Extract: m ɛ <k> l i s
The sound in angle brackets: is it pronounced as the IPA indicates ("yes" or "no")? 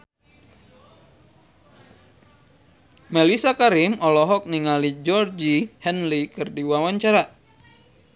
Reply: no